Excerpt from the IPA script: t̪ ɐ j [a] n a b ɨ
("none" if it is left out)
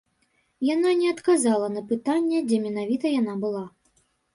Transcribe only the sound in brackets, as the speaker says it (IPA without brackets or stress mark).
a